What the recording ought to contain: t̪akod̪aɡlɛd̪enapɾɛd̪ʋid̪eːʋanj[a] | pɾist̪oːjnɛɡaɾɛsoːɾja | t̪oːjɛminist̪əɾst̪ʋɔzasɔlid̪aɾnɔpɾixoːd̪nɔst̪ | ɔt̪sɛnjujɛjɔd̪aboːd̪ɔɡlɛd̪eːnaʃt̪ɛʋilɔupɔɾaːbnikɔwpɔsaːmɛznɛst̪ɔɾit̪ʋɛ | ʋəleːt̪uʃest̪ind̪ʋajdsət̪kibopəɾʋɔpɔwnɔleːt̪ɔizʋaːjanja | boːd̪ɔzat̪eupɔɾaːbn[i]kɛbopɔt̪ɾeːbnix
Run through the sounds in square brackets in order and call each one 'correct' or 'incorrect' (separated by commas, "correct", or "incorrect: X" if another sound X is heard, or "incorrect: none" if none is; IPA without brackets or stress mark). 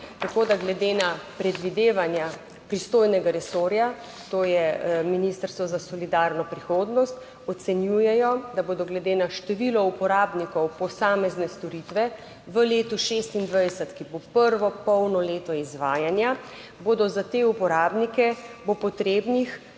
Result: correct, correct